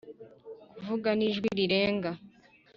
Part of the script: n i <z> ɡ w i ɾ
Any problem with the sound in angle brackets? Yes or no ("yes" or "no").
yes